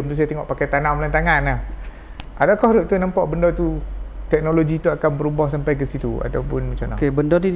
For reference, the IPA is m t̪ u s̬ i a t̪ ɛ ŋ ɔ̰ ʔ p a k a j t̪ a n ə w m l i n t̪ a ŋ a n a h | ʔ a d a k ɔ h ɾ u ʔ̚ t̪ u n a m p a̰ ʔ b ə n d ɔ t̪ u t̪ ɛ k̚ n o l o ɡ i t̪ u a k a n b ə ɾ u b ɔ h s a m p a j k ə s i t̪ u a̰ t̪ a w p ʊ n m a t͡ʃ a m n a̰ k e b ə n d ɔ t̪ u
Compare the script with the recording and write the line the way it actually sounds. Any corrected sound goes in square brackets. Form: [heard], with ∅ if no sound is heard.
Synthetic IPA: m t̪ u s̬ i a t̪ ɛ ŋ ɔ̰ ʔ p a k a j t̪ a n [a] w m l [a] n t̪ a ŋ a n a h | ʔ a d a k ɔ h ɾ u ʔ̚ t̪ u n a m p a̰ ʔ b ə n d ɔ t̪ u t̪ ɛ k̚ n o l o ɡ i t̪ u a k a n b ə ɾ u b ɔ h s a m p a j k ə s i t̪ u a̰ t̪ a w p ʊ n m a t͡ʃ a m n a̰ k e b ə n d ɔ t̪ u